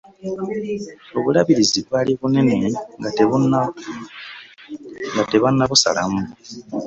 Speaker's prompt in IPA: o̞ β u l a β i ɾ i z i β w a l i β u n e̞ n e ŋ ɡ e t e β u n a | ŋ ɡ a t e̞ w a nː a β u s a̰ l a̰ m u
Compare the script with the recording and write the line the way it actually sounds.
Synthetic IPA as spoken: o̞ β u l a β i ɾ i z i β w a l i β u n e̞ n e ŋ ɡ a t e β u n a | ŋ ɡ a t e̞ β a nː a β u s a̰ l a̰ m u